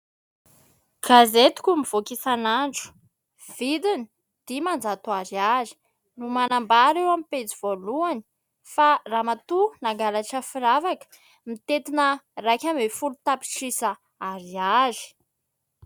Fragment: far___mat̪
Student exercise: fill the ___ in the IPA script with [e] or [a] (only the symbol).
a